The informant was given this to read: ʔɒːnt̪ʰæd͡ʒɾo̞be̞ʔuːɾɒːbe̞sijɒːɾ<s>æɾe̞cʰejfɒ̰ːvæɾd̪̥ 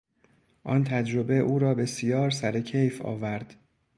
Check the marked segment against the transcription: correct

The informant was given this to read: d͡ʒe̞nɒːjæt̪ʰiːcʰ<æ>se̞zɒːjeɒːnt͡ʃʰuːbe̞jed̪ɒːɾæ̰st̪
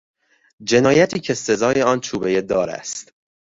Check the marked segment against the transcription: incorrect: e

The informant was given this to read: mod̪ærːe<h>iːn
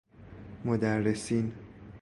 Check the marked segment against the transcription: incorrect: s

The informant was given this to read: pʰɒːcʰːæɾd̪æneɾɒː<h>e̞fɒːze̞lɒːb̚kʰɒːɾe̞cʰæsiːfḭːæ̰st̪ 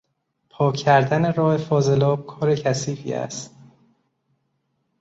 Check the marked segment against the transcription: correct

